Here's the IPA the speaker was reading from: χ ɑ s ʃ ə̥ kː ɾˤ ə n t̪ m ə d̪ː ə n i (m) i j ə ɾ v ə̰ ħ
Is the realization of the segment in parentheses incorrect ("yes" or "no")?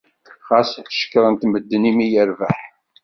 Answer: no